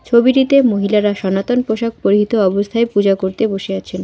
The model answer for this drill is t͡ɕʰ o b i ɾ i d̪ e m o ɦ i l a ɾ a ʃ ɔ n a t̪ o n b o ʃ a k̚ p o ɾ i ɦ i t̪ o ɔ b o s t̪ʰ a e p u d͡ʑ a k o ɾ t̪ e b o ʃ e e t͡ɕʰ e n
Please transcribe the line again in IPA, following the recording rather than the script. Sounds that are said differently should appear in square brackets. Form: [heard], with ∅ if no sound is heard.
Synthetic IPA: t͡ɕʰ o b i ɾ i [t̪] e m o ɦ i l a ɾ a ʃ ɔ n a t̪ o n [p] o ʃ a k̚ p o ɾ i ɦ i t̪ o ɔ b o s t̪ʰ a e p u d͡ʑ a k o ɾ t̪ e b o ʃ e [a] t͡ɕʰ e n